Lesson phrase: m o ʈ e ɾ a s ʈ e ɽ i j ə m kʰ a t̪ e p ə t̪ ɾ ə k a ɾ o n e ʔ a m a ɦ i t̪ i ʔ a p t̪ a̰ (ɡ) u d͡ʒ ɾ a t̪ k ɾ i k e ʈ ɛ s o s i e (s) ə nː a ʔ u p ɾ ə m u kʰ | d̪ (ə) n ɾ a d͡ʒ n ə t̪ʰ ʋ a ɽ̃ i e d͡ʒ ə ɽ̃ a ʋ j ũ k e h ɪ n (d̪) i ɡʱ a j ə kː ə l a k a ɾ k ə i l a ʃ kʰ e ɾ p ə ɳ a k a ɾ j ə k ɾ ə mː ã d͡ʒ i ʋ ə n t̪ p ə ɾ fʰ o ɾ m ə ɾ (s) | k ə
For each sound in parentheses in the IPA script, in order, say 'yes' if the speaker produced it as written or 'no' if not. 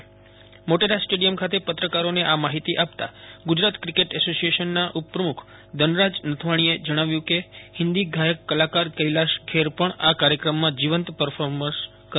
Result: yes, no, yes, yes, yes

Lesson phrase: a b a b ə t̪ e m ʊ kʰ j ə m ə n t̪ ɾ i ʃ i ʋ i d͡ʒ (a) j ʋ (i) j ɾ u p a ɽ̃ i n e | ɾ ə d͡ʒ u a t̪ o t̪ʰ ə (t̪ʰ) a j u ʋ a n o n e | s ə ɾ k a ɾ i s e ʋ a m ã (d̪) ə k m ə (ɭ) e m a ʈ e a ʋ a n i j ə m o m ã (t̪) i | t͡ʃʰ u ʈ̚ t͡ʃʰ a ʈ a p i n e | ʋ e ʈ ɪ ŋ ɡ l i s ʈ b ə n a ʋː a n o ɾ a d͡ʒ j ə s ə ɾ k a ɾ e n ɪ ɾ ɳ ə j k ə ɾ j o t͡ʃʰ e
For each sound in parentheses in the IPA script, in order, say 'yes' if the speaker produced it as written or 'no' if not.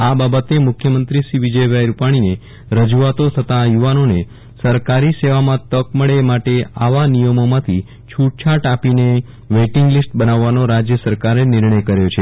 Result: no, no, no, no, yes, no

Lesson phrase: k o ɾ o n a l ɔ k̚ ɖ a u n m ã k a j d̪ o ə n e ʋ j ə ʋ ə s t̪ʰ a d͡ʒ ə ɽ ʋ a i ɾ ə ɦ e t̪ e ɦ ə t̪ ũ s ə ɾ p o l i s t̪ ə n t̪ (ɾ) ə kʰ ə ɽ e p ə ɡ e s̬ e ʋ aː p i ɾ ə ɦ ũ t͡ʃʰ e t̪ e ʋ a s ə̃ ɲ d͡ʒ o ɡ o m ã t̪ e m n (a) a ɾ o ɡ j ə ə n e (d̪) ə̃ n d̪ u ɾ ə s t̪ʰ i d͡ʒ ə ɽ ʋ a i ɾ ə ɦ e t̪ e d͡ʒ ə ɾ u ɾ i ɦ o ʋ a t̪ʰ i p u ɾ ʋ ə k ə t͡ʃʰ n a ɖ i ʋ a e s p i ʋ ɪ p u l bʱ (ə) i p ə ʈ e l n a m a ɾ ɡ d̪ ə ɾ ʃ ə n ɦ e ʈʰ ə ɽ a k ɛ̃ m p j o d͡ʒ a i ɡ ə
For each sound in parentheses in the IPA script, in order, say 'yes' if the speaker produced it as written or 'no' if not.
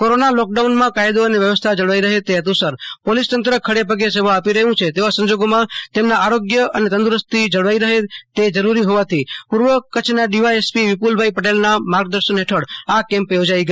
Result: yes, yes, no, no

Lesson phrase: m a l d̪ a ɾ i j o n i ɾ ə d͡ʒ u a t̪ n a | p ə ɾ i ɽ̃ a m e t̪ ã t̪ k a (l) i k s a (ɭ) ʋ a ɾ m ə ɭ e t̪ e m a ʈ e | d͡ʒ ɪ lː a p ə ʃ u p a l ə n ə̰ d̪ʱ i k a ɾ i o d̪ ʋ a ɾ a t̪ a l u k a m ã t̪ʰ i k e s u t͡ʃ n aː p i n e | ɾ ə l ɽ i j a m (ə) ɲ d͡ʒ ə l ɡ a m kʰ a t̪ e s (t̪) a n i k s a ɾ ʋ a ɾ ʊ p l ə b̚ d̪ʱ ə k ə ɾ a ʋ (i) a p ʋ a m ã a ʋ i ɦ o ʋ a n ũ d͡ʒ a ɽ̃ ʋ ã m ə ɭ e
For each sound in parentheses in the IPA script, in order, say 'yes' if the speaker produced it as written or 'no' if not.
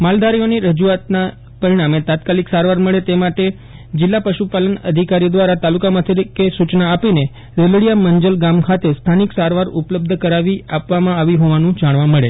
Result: yes, no, yes, no, yes

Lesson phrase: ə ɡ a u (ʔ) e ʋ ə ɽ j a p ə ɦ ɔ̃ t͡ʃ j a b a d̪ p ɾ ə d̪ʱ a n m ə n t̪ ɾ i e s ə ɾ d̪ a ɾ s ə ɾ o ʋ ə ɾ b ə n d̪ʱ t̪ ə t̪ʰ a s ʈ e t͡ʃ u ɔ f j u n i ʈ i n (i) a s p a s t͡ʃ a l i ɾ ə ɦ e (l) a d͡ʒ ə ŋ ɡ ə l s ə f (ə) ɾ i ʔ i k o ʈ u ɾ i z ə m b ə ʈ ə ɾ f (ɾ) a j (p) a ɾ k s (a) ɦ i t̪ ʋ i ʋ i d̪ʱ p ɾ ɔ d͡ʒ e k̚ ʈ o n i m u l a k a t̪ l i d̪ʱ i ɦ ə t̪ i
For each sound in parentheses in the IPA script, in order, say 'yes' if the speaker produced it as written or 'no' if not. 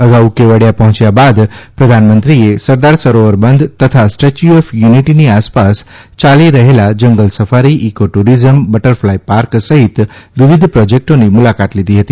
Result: no, yes, yes, no, no, yes, no

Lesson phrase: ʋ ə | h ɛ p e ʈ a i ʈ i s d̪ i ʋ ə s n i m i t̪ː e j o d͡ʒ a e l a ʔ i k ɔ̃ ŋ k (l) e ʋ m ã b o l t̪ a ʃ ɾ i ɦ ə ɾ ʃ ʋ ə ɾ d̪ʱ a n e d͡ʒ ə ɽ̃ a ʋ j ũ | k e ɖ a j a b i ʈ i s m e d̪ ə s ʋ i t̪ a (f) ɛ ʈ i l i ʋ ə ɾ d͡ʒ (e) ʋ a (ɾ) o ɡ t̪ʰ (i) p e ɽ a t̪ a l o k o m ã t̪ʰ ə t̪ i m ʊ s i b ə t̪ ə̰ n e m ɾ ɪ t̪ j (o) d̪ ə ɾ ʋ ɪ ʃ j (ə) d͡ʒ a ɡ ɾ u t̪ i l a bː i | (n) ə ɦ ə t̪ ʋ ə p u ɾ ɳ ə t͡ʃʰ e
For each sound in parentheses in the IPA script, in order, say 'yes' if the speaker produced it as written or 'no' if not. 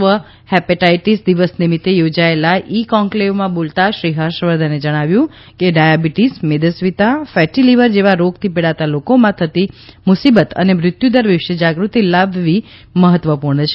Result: yes, yes, yes, yes, yes, no, yes, no

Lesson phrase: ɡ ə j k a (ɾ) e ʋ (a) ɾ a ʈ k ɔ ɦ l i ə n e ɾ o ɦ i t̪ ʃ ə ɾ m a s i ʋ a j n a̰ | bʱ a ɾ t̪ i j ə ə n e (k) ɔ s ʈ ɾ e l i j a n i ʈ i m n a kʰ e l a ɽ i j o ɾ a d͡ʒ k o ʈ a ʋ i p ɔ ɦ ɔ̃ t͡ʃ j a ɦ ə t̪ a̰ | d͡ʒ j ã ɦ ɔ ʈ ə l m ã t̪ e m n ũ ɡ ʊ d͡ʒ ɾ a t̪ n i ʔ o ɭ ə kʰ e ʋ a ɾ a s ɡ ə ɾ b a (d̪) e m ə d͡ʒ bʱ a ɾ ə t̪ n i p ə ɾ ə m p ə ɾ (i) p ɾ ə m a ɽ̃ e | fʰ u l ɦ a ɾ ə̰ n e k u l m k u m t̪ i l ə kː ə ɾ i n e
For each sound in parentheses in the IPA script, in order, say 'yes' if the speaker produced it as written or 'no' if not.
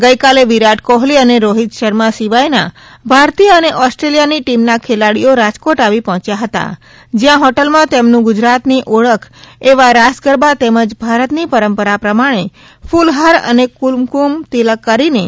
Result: no, no, no, no, no

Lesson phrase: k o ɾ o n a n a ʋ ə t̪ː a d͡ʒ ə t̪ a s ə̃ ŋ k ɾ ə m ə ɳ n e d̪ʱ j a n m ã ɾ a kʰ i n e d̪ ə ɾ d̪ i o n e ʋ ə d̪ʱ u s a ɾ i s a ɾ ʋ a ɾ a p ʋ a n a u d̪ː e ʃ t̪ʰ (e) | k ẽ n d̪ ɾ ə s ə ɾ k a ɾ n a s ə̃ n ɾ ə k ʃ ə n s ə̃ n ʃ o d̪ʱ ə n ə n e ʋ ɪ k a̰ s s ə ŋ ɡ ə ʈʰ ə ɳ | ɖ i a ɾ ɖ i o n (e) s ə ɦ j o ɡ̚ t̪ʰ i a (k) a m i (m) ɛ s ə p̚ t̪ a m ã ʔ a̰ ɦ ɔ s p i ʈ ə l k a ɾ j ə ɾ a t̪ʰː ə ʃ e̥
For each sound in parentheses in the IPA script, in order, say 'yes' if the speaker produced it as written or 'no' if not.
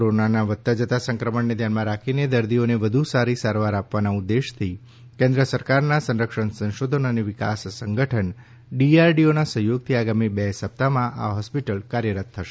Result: no, no, no, no

